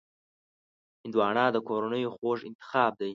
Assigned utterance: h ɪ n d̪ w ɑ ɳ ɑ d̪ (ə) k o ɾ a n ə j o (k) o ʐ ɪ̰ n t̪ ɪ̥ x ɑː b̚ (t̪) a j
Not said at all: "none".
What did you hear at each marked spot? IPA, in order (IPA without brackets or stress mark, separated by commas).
ə, x, d̪